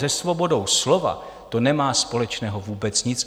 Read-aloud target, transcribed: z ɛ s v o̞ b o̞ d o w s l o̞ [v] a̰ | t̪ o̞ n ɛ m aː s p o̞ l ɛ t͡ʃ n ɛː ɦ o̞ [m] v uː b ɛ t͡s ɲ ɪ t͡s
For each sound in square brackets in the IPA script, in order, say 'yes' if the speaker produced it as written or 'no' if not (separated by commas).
yes, no